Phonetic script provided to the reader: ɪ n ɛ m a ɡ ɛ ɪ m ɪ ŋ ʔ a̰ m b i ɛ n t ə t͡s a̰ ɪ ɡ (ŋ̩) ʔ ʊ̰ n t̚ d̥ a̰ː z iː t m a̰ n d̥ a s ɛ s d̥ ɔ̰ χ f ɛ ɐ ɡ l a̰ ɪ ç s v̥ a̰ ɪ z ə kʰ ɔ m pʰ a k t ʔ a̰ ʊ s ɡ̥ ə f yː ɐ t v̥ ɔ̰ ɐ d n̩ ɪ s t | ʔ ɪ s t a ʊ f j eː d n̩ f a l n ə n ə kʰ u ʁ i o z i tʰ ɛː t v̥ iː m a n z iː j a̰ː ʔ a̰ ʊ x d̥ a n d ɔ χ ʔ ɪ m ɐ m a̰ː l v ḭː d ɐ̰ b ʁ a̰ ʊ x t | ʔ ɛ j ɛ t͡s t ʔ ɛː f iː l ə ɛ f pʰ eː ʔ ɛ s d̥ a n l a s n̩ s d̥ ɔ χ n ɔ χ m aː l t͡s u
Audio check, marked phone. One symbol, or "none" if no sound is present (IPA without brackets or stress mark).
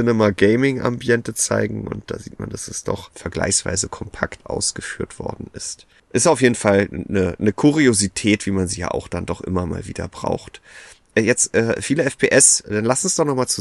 ŋ̩